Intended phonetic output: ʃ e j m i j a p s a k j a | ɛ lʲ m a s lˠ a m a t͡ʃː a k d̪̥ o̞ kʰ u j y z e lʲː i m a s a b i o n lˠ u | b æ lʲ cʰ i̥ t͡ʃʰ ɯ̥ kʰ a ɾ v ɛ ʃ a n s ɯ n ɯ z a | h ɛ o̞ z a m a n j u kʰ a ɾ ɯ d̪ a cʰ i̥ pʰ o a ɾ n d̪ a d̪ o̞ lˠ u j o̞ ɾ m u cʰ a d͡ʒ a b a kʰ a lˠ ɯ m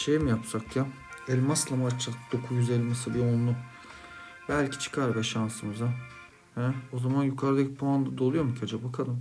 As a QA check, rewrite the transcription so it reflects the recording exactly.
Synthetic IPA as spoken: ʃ e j m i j a p s a k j a | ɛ lʲ m a s lˠ a m a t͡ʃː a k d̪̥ o̞ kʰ u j y z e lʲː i m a s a b i o n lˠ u | b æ lʲ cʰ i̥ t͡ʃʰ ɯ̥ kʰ a ɾ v ɛ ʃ a n s ɯ m ɯ z a | h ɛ o̞ z a m a n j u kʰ a ɾ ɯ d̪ a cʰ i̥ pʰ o a n d̪ a d̪ o̞ lˠ u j o̞ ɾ m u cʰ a d͡ʒ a b a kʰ a lˠ ɯ m